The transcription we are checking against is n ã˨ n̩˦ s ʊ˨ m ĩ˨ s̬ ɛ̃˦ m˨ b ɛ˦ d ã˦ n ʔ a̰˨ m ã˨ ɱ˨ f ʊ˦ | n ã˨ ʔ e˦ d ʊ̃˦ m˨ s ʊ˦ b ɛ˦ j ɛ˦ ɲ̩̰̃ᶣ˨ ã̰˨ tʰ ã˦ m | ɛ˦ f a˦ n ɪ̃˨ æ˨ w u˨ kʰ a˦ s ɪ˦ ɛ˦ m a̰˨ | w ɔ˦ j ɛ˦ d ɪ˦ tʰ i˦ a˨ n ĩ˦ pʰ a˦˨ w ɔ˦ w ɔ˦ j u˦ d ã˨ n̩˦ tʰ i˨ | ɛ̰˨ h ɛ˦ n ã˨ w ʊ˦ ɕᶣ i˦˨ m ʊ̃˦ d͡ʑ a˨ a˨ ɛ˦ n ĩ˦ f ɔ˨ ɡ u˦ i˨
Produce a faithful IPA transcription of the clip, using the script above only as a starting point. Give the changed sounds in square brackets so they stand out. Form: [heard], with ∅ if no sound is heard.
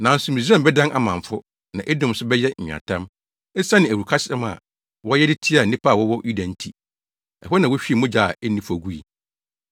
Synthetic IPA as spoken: n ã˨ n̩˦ s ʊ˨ m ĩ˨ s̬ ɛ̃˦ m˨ b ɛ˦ d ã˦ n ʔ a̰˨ m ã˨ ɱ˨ f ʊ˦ | n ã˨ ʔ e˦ d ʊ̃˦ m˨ s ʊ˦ b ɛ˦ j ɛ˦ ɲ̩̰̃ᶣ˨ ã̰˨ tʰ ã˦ m | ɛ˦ [s] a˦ n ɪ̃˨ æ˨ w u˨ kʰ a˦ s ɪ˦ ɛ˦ m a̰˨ | w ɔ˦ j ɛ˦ d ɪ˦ tʰ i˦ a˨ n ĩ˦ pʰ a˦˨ w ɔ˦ w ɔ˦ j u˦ d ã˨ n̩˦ tʰ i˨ | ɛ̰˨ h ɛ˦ n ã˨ w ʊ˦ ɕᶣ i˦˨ m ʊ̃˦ d͡ʑ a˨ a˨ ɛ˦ n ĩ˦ f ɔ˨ ɡ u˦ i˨